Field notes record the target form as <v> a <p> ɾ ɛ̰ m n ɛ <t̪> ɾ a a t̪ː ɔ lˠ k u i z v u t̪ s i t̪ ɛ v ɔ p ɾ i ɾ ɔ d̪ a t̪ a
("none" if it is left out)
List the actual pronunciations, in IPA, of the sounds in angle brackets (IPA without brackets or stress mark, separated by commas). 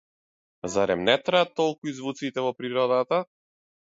z, none, t̪